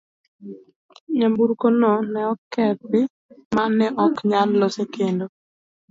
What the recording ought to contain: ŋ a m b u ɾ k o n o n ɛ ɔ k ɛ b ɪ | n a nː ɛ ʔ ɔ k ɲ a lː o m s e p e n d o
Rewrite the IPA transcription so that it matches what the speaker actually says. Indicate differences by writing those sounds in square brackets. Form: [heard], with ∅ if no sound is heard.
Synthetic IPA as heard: [ɲ] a m b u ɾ k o n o n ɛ ɔ k ɛ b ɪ | [m] a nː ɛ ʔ ɔ k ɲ a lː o [∅] s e [k] e n d o